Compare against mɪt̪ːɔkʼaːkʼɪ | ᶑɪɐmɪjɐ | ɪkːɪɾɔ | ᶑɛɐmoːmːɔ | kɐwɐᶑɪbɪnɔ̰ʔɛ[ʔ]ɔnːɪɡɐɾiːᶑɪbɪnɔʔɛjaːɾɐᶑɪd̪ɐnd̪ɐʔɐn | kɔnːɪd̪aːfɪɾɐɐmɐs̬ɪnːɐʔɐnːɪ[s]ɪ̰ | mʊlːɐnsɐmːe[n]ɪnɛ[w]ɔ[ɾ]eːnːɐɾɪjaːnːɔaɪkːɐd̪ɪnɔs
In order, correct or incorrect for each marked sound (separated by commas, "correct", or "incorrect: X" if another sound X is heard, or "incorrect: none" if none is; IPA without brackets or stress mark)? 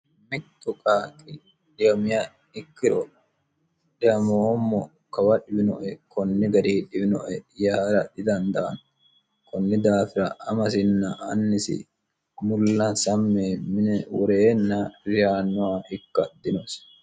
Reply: incorrect: k, correct, incorrect: m, correct, correct